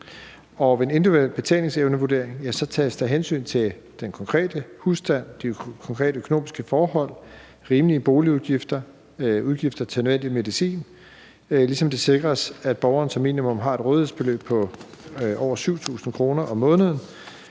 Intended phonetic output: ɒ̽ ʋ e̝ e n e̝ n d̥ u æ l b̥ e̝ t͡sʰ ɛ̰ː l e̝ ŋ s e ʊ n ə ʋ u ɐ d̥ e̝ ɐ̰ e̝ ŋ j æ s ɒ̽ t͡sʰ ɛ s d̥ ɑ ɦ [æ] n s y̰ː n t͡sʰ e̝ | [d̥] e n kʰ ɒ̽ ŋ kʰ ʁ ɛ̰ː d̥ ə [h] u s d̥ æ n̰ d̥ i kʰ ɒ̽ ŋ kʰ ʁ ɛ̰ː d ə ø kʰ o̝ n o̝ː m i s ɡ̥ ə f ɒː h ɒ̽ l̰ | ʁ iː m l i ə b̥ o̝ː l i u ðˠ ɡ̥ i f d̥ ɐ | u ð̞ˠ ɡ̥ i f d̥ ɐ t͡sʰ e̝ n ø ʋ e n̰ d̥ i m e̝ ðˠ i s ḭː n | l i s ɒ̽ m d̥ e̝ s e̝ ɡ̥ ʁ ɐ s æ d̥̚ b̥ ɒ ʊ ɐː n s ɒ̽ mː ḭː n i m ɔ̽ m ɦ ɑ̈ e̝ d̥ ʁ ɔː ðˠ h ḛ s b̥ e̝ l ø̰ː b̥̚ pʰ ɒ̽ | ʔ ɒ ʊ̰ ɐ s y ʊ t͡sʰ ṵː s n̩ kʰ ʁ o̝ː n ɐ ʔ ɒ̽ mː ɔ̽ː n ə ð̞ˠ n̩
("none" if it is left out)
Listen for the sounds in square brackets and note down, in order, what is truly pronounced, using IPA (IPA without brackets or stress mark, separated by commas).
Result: e, d̥, h